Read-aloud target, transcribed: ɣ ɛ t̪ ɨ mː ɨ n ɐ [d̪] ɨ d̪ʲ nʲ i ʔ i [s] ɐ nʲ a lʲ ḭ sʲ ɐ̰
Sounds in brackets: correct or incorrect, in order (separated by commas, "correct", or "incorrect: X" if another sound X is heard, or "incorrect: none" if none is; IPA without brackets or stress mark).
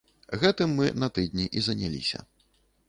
incorrect: t̪, incorrect: z